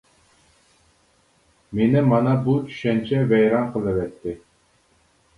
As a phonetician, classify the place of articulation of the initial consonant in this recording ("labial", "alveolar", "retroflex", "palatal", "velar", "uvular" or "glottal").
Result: labial